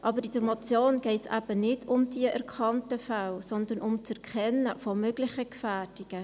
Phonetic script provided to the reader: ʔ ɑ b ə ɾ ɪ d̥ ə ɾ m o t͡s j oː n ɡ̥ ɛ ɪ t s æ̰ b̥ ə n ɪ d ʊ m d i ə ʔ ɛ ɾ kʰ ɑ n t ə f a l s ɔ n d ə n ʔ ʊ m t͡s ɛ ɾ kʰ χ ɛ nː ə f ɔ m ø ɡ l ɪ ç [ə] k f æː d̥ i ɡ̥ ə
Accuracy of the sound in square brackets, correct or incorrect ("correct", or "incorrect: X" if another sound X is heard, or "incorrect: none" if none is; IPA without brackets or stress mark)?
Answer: correct